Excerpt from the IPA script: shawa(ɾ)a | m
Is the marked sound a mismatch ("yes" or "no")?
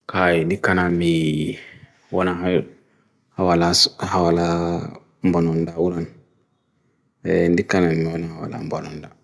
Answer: yes